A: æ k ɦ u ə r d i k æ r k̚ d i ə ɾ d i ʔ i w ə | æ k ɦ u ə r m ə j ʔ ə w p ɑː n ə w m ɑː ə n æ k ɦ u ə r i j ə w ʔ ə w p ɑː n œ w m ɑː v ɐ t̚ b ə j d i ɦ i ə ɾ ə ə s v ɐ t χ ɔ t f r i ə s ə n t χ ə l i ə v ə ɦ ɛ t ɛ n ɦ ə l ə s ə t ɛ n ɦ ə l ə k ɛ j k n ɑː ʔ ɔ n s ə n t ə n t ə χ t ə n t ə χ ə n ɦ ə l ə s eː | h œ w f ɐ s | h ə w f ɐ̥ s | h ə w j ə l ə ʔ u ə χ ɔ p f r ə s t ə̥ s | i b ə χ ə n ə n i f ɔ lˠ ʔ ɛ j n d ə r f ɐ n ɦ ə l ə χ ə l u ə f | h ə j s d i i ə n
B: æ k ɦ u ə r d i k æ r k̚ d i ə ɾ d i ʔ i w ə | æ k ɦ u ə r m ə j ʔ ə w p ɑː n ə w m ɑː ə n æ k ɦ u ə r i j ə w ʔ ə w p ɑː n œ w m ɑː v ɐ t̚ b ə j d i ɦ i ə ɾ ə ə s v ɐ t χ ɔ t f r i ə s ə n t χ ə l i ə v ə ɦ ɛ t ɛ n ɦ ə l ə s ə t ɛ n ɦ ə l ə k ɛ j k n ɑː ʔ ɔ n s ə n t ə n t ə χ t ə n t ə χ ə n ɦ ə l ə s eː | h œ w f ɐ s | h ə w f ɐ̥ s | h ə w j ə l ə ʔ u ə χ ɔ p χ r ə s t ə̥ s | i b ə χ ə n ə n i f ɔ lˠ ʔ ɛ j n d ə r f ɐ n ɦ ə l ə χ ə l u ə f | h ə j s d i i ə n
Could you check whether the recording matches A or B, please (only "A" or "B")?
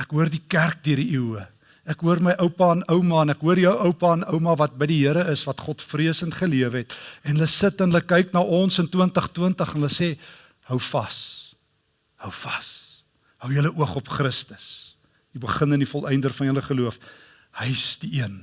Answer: B